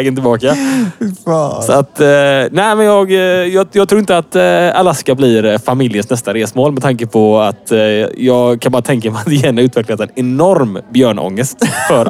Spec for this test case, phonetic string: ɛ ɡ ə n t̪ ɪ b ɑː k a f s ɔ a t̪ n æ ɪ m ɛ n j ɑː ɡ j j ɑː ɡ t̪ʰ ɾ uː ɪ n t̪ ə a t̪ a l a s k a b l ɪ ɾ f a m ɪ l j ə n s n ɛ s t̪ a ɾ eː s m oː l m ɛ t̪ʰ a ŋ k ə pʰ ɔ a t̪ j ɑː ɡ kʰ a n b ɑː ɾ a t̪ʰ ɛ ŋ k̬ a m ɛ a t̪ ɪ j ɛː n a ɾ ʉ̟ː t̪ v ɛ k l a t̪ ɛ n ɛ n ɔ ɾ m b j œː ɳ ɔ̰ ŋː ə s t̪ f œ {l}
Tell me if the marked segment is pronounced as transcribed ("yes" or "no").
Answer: no